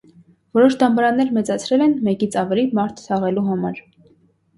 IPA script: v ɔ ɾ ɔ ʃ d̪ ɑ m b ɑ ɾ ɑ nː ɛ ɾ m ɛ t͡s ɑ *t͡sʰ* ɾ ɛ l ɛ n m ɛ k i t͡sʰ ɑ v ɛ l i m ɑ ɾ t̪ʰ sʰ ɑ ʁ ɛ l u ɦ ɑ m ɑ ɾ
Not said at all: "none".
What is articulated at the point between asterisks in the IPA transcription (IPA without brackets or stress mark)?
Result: t͡sʰ